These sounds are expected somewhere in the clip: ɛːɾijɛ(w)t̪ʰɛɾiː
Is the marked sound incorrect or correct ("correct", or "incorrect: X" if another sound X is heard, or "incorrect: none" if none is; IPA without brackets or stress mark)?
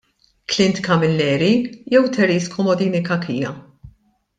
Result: correct